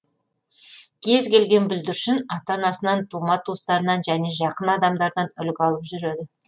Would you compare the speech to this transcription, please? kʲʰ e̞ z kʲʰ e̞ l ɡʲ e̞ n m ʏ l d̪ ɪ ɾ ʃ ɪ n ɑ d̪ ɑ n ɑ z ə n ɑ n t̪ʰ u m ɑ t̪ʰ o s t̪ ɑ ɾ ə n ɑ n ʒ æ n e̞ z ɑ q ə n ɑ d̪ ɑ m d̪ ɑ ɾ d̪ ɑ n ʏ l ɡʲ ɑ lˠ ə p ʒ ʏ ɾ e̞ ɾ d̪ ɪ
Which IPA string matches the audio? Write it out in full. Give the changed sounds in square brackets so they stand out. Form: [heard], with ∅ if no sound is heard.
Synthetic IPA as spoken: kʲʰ e̞ z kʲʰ e̞ l ɡʲ e̞ n [b] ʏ l d̪ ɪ ɾ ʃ ɪ n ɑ [t̪] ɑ n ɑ [s] ə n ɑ n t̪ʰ u m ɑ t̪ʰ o s t̪ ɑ ɾ ə n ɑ n ʒ æ n e̞ [ʒ] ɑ q ə n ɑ d̪ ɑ m d̪ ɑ ɾ d̪ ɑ n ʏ l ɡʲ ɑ lˠ ə p ʒ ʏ ɾ e̞ [∅] d̪ ɪ